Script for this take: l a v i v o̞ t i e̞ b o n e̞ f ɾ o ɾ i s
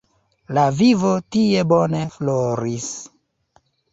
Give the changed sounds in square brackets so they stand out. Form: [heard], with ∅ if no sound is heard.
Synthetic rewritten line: l a v i v o̞ t i e̞ b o n e̞ f [l] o ɾ i s